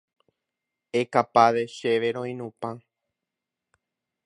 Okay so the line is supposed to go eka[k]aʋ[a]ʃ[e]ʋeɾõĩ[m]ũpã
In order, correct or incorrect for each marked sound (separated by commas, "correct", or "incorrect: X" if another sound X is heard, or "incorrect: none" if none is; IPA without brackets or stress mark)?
incorrect: p, incorrect: e, correct, incorrect: n